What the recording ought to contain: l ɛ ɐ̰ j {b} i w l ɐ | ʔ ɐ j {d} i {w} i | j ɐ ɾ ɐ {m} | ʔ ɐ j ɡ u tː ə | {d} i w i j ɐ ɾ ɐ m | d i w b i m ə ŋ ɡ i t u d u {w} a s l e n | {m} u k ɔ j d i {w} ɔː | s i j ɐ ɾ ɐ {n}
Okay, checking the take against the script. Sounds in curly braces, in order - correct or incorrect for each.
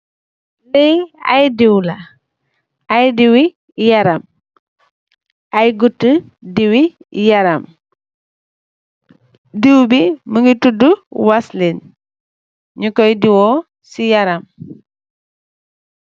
incorrect: d, correct, correct, correct, correct, correct, incorrect: ɲ, correct, incorrect: m

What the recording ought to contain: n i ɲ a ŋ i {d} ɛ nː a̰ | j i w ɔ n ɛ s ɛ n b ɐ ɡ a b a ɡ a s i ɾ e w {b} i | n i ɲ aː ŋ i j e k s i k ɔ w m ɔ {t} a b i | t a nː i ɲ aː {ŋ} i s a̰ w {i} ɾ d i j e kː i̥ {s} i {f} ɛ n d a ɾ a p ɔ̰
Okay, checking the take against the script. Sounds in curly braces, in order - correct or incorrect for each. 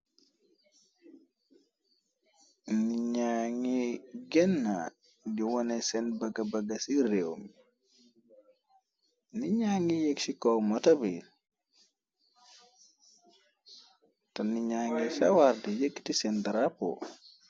incorrect: ɡ, incorrect: m, correct, correct, incorrect: a, incorrect: t, incorrect: s

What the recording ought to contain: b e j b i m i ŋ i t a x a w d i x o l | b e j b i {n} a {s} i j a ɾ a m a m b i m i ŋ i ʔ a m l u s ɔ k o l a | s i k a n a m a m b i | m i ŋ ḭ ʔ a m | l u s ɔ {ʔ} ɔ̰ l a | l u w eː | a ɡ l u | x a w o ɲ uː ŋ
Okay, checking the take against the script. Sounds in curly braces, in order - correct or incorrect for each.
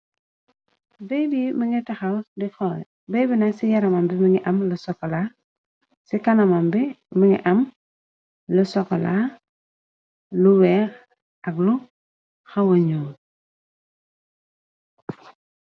correct, correct, incorrect: k

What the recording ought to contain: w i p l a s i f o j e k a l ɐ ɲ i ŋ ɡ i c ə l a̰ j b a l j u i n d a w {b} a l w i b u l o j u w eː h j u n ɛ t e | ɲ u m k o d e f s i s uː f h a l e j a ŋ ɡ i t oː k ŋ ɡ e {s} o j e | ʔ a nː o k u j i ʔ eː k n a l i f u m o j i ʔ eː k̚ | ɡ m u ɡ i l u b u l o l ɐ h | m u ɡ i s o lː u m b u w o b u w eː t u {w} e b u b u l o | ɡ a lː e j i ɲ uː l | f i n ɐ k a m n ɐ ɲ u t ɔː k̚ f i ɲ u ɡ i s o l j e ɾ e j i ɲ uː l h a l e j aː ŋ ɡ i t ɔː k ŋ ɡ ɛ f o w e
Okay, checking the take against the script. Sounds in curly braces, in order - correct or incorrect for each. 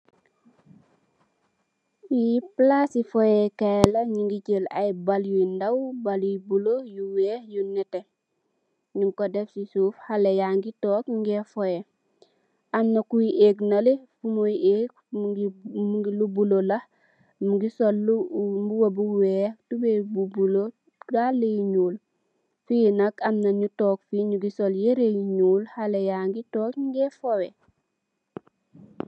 correct, incorrect: f, incorrect: b

